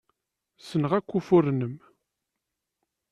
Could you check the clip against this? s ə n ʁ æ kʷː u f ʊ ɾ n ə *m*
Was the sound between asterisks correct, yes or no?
yes